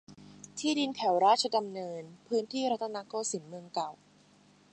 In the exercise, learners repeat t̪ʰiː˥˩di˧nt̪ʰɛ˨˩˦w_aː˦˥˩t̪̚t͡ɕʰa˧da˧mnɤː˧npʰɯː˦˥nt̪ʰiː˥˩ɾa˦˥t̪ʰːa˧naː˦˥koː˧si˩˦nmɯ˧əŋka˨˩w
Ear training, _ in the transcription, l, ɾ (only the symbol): ɾ